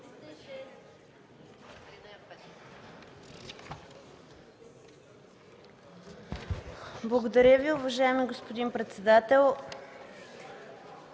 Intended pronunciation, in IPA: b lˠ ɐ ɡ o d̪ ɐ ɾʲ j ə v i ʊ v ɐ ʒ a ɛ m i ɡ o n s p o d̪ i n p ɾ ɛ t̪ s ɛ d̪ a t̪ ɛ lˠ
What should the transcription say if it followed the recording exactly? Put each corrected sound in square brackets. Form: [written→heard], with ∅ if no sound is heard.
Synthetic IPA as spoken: b lˠ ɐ ɡ o d̪ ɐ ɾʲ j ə v i ʊ v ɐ ʒ a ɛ m i ɡ o [n→∅] s p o d̪ i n p ɾ ɛ t̪ s ɛ d̪ a t̪ ɛ lˠ